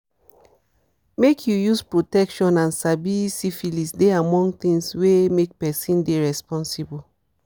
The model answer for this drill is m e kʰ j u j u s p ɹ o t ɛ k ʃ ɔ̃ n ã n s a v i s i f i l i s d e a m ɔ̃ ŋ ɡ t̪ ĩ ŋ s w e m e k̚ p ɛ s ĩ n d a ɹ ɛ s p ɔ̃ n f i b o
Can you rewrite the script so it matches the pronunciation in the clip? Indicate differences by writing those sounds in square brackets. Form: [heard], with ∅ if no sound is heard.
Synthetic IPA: m e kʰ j u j u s p ɹ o t ɛ k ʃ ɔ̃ n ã n s a [b] i s i f i l i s d e a m ɔ̃ ŋ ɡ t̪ ĩ ŋ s w e m e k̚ p ɛ s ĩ n d [e] ɹ ɛ s p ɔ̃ n [s] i b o

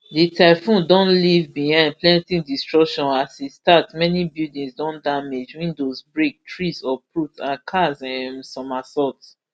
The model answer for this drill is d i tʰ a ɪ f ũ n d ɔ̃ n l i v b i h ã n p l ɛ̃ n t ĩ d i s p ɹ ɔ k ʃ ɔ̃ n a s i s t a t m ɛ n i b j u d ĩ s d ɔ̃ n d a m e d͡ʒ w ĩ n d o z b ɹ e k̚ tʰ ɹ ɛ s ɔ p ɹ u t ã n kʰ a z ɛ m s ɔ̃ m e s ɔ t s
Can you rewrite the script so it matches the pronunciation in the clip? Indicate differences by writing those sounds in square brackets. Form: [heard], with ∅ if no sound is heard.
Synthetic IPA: d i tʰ a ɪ f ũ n d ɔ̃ n l i v b i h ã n p l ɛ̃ n t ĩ d i s [t] ɹ ɔ k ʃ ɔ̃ n a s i s t a t m ɛ n i b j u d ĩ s d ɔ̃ n d a m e d͡ʒ w ĩ n d o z b ɹ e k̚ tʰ ɹ [i] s ɔ p ɹ u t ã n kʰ a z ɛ m s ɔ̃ m [a] s ɔ t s

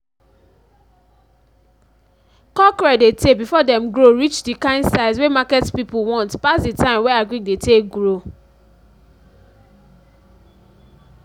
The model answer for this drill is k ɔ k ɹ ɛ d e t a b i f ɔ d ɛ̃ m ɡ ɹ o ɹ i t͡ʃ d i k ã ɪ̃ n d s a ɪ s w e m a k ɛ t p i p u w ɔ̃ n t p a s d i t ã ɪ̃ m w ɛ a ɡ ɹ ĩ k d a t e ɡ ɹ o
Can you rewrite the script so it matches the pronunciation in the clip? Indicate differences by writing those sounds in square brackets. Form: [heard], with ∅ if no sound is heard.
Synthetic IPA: k ɔ k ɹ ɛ d e t [e] b i f ɔ d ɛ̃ m ɡ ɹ o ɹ i t͡ʃ d i k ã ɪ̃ n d s a ɪ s w e m a k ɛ t p i p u w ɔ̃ n t p a s d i t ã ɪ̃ m w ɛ a ɡ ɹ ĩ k d [e] t e ɡ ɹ o

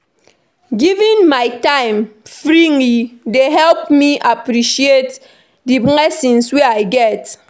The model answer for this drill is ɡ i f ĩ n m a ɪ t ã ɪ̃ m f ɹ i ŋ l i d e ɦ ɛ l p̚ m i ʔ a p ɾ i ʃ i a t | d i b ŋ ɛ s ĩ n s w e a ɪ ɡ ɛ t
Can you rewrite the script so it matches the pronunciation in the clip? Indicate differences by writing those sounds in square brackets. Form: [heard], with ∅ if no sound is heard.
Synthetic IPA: ɡ i [v] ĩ n m a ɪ t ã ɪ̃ m f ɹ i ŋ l i d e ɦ ɛ l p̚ m i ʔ a p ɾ i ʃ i [e] t | d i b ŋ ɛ s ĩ n s w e a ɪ ɡ ɛ t

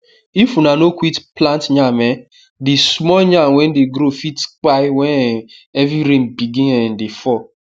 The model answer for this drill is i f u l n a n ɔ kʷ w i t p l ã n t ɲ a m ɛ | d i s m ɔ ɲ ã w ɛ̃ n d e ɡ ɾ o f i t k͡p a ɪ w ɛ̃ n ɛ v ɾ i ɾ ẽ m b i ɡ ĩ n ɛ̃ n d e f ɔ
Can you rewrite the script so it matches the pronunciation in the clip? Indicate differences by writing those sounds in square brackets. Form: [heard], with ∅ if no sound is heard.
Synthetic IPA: i f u [∅] n a n [o] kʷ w i t p l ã n t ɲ a m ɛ | d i s m ɔ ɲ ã w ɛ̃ n d e ɡ ɾ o f i t k͡p a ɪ w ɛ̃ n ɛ v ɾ i ɾ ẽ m b i ɡ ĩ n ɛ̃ n d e f ɔ

